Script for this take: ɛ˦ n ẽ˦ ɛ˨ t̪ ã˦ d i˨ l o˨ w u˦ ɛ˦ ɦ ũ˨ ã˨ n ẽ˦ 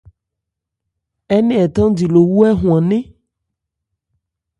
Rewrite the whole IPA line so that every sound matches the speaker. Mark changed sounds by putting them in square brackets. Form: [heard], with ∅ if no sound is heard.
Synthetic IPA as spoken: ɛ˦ n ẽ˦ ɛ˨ t̪ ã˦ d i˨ l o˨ w u˦ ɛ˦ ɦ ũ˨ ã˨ n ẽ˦